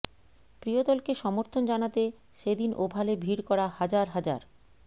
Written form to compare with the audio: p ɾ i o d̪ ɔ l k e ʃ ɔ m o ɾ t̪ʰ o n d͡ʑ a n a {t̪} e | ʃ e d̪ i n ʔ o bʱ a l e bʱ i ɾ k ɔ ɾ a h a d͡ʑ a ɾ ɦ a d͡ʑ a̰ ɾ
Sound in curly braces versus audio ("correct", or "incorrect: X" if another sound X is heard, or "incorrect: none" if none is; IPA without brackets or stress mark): correct